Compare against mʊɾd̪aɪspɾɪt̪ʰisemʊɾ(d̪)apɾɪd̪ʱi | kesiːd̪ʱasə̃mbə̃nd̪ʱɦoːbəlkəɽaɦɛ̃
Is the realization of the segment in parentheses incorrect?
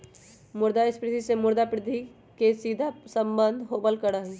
no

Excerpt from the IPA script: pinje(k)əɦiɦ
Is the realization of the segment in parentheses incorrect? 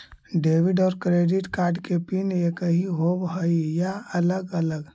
no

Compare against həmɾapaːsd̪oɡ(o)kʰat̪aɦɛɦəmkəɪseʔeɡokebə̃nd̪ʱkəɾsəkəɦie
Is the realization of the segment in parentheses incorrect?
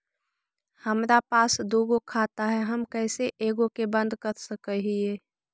no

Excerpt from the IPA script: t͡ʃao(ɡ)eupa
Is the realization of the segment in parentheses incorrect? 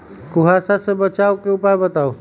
yes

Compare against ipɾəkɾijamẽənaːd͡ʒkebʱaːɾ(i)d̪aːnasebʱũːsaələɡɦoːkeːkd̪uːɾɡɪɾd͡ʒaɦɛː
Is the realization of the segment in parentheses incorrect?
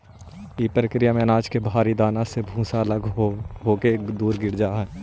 no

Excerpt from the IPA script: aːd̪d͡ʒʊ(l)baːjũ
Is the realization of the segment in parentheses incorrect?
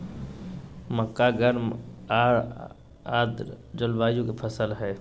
no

